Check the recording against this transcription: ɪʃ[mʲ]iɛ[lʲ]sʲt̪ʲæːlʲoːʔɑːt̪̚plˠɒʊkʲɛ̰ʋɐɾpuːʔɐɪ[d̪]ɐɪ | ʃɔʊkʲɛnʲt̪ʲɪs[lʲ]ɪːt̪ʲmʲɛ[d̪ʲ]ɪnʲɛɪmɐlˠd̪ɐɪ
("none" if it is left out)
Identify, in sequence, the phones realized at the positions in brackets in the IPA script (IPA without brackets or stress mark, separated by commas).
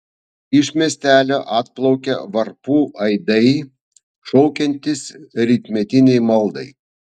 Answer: mʲ, none, d̪, ɾʲ, t̪ʲ